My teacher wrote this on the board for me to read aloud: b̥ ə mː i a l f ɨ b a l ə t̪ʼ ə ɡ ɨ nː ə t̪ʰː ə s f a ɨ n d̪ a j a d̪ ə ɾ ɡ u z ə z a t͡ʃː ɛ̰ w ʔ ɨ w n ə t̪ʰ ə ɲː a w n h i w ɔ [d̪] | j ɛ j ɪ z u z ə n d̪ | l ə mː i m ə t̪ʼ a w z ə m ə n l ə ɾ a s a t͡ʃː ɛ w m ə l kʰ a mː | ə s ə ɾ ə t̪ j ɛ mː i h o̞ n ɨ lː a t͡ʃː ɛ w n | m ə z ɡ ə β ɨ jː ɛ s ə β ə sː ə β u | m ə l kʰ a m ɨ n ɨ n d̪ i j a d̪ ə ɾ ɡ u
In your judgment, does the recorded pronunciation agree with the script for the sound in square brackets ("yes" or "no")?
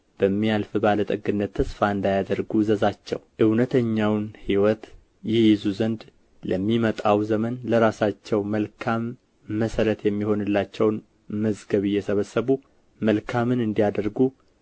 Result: no